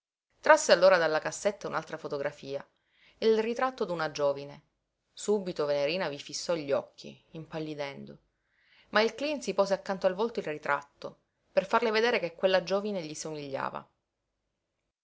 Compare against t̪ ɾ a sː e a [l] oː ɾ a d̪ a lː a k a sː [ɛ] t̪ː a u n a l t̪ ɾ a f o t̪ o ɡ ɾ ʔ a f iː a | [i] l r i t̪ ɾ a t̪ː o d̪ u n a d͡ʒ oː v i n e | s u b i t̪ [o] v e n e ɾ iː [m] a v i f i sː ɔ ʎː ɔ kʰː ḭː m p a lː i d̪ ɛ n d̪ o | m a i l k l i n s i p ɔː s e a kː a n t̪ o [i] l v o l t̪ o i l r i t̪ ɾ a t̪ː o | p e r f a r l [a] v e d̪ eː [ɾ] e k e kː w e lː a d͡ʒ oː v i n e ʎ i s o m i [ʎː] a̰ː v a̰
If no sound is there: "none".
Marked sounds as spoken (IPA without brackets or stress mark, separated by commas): lː, e, i, o, n, a, e, ɾ, ʎː